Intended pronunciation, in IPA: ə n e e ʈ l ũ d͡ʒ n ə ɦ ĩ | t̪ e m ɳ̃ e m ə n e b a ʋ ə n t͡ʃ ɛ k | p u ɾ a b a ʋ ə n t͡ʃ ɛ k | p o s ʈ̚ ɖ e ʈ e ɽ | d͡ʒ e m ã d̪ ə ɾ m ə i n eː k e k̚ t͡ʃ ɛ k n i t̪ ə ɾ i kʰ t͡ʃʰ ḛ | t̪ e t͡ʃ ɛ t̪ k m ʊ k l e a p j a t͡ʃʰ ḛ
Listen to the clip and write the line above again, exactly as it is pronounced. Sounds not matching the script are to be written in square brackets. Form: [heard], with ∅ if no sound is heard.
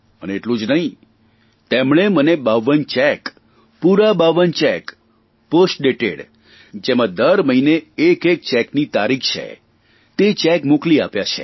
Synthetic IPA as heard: ə n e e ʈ l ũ d͡ʒ n ə ɦ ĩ | t̪ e m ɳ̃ e m ə n e b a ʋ ə n t͡ʃ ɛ k | p u ɾ a b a ʋ ə n t͡ʃ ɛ k | p o s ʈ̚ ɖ e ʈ e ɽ | d͡ʒ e m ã d̪ ə ɾ m ə i n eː k e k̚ t͡ʃ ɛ k n i t̪ [a] ɾ i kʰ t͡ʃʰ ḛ | t̪ e t͡ʃ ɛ [∅] k m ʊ k l [i] a p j a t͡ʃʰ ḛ